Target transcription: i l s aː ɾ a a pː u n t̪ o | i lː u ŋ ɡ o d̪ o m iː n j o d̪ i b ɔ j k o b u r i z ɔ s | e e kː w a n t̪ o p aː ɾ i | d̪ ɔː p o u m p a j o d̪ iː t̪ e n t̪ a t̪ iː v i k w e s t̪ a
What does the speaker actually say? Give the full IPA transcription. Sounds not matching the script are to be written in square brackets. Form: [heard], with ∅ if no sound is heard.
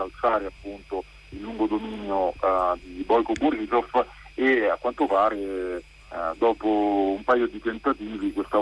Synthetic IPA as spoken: [a] l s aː ɾ [e] a pː u n t̪ o | i lː u ŋ ɡ o d̪ o m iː n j o d̪ i b ɔ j k o b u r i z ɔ [f] | e [a] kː w a n t̪ o p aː ɾ [e] | d̪ ɔː p o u m p a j o d̪ [i] t̪ e n t̪ a t̪ iː v i k w e s t̪ a